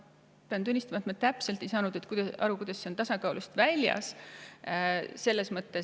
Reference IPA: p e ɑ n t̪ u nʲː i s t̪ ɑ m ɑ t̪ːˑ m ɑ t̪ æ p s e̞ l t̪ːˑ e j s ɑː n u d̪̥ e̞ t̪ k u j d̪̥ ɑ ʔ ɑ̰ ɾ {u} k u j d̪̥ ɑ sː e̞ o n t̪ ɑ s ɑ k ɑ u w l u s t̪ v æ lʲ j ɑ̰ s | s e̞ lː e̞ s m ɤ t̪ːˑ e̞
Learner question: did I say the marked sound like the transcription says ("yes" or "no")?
yes